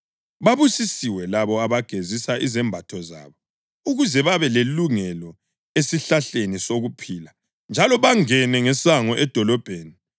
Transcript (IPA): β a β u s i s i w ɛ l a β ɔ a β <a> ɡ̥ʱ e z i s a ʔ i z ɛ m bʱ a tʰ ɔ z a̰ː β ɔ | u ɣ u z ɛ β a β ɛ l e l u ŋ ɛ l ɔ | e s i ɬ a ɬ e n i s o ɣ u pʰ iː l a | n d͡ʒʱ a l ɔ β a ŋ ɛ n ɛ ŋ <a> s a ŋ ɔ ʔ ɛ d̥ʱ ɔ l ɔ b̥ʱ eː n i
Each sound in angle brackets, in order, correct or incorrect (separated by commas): correct, incorrect